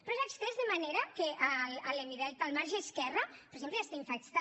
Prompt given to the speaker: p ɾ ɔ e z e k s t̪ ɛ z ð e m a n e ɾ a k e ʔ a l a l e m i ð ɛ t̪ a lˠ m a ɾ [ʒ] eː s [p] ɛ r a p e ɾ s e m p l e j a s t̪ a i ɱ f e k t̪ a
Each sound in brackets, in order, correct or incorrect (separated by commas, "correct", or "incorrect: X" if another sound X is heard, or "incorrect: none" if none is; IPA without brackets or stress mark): correct, incorrect: k